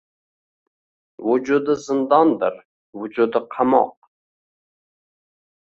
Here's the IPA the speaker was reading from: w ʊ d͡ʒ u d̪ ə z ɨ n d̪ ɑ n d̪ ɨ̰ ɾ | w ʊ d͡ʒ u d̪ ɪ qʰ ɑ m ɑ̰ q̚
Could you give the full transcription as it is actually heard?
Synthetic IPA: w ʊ d͡ʒ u d̪ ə z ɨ n d̪ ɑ n d̪ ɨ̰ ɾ | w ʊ d͡ʒ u d̪ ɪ qʰ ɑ m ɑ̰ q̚